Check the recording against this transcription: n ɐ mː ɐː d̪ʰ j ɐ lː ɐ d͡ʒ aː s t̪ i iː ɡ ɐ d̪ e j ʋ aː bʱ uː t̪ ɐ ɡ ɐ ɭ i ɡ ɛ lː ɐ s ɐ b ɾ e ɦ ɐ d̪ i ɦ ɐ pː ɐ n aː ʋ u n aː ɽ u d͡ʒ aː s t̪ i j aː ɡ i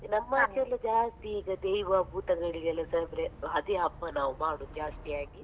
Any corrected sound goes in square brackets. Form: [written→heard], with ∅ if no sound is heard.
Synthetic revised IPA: n ɐ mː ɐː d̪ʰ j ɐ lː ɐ d͡ʒ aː s t̪ i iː ɡ ɐ d̪ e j ʋ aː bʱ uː t̪ ɐ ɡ ɐ ɭ i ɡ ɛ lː ɐ s ɐ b ɾ e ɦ ɐ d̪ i ɦ ɐ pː ɐ n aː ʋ u [n→m] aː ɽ u d͡ʒ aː s t̪ i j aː ɡ i